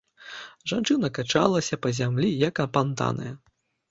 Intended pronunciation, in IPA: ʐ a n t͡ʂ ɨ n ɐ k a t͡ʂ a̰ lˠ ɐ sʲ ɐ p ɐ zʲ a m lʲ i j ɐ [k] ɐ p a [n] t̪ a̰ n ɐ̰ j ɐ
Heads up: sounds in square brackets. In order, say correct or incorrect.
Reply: correct, correct

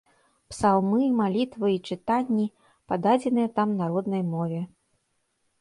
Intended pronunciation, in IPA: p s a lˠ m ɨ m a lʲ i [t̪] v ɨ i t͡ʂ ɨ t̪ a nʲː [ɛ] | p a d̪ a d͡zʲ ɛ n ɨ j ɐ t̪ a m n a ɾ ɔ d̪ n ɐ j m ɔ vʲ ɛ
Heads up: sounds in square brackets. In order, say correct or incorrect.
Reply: correct, incorrect

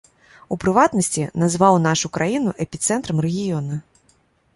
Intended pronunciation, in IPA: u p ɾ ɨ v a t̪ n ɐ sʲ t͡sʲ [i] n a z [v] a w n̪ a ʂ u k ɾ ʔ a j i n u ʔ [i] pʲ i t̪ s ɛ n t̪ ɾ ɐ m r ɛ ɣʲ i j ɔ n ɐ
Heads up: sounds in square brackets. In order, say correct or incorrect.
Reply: correct, correct, incorrect

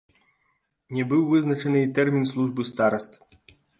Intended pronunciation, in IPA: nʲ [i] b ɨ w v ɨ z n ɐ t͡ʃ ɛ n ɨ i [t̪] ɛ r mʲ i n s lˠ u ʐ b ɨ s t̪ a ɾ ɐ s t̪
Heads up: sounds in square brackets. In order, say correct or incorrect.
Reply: incorrect, correct

